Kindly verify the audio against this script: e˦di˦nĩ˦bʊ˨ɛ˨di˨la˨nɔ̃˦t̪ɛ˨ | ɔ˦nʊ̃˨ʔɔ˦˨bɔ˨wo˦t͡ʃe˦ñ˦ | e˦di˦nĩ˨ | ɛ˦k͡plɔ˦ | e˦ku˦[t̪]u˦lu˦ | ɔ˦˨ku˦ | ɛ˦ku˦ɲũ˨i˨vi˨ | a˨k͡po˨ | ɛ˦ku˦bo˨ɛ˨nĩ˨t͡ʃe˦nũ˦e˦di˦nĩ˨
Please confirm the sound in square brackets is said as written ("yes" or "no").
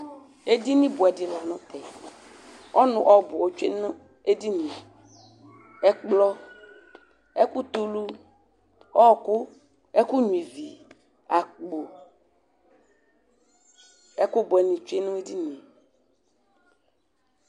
yes